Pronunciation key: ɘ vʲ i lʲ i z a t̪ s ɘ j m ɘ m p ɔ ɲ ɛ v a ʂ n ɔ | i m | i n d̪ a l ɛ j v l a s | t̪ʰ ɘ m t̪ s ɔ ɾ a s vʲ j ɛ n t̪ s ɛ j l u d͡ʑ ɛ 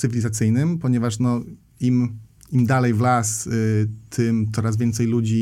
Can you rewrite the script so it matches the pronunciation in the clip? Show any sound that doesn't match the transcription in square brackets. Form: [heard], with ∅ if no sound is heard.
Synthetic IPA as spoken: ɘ vʲ i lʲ i z a t̪ s ɘ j [n] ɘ m p ɔ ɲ ɛ v a ʂ n ɔ | i m | i [m] d̪ a l ɛ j v l a s | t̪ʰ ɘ m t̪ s ɔ ɾ a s vʲ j ɛ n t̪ s ɛ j l u d͡ʑ [i]